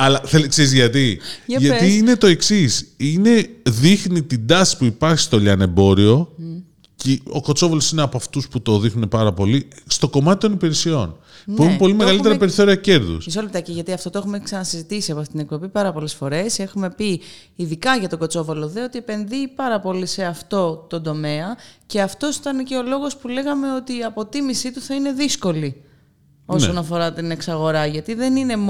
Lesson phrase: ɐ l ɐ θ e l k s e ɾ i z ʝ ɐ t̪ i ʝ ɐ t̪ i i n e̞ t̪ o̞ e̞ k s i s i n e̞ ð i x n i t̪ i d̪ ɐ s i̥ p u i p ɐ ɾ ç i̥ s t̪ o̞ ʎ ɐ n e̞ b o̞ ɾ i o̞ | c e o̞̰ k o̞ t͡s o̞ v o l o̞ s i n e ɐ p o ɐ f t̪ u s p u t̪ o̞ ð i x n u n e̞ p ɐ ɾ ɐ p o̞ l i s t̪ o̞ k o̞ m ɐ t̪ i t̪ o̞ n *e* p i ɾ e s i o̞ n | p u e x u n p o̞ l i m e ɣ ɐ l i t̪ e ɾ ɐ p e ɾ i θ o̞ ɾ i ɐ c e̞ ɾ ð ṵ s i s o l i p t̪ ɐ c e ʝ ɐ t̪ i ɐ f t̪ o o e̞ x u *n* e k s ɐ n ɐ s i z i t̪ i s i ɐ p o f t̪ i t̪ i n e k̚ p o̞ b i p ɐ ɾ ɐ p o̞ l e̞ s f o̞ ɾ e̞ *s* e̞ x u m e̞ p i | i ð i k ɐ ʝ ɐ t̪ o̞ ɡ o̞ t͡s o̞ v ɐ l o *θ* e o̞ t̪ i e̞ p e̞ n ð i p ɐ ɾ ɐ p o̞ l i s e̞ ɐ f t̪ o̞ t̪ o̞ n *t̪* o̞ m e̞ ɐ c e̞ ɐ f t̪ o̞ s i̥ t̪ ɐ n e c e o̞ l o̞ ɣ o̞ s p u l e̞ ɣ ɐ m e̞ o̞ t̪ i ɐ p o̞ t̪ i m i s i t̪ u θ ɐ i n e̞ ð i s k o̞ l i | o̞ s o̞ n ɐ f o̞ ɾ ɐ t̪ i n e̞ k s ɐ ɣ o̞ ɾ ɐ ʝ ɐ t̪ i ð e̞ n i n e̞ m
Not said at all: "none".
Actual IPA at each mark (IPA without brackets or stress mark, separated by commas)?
i, m, s, ð, d̪